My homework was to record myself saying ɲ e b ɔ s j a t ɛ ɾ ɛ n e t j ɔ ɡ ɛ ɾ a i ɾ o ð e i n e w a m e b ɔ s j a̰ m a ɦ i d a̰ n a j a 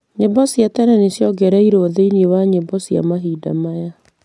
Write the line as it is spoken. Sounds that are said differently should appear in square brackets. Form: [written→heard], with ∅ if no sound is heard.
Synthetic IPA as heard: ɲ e b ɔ s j a t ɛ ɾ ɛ n e [t→s] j ɔ ɡ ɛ ɾ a i ɾ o ð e i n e w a [m→ɲ] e b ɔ s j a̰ m a ɦ i d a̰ [n→m] a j a